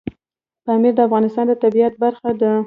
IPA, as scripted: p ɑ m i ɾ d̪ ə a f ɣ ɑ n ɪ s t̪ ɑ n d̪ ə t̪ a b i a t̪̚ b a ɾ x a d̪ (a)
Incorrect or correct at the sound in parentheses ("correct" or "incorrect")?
incorrect